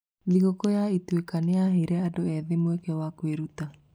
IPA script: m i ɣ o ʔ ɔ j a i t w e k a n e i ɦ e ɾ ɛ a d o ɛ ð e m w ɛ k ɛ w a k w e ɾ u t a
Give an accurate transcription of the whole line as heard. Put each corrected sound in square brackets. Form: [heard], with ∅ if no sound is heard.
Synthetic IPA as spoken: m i ɣ o [k] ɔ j a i t w e k a n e [a] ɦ e ɾ ɛ a d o ɛ ð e m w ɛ k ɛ w a k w e ɾ u t a